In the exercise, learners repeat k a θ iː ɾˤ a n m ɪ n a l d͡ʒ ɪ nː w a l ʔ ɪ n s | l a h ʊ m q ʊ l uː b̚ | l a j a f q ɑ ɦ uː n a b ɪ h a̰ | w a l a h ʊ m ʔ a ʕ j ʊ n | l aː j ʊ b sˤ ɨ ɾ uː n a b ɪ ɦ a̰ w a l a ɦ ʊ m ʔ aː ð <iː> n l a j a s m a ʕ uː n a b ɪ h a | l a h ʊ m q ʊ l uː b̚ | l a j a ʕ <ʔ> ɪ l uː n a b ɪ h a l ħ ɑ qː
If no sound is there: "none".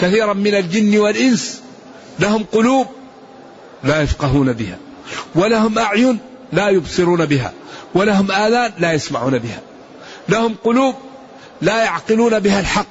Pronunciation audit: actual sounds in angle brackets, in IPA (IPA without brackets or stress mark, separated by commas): aː, q